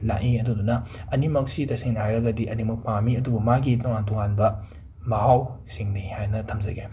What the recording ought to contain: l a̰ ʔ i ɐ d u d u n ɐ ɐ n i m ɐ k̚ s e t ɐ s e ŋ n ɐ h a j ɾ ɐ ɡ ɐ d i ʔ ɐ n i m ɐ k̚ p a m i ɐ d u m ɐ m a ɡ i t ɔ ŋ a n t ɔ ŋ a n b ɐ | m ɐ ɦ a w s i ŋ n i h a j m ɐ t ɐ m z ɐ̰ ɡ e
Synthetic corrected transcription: l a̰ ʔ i ɐ d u d u n ɐ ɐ n i m ɐ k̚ s i t ɐ s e ŋ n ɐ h a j ɾ ɐ ɡ ɐ d i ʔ ɐ n i m ɐ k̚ p a m i ɐ d u b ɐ m a ɡ i t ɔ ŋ a n t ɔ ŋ a n b ɐ | m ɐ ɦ a w s i ŋ n i h a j n ɐ tʰ ɐ m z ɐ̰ ɡ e